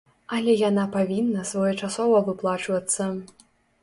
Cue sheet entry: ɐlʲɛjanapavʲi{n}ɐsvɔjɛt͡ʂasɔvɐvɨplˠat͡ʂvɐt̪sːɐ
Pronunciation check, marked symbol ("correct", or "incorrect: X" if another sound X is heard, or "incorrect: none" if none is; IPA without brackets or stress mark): incorrect: nː